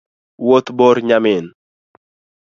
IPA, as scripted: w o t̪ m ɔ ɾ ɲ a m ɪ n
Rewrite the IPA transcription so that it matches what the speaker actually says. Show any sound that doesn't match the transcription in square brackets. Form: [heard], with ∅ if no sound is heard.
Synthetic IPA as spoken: w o t̪ [b] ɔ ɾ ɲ a m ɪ n